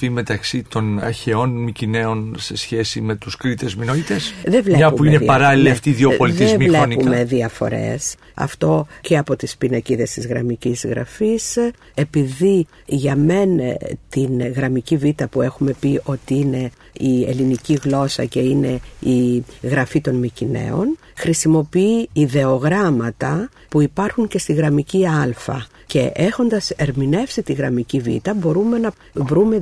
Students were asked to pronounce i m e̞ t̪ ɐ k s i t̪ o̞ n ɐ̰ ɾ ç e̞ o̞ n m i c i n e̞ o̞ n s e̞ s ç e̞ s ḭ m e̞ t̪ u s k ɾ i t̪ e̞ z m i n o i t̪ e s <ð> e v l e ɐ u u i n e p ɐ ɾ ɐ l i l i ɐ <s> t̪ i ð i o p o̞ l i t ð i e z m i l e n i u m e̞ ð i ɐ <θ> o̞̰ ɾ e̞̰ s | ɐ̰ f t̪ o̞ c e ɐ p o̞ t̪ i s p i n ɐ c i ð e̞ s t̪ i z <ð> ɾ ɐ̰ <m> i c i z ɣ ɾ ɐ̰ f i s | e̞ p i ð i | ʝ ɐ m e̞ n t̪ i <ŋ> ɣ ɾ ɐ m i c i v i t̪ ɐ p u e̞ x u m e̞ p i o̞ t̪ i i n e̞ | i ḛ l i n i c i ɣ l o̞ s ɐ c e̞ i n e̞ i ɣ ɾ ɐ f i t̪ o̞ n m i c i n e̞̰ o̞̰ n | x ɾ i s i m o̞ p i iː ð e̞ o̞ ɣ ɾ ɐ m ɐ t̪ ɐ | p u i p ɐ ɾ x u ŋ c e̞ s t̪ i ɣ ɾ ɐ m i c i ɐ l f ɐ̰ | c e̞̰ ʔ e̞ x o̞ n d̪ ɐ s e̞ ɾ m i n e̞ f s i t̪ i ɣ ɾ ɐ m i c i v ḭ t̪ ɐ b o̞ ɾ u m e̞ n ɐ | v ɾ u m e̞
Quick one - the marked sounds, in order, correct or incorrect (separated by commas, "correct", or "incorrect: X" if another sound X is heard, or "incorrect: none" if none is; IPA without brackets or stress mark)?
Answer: correct, incorrect: f, incorrect: f, incorrect: ɣ, correct, incorrect: n